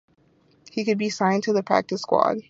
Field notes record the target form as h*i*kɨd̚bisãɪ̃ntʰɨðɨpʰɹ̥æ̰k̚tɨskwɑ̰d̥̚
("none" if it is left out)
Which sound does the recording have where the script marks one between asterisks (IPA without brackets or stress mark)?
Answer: i